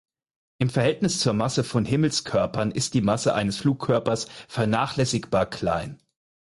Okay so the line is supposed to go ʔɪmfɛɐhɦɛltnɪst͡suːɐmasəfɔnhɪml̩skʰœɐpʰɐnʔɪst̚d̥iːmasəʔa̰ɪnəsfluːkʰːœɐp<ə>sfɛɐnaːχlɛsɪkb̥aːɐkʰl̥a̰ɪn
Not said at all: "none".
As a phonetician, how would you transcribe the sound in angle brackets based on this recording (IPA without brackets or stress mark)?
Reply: ɐ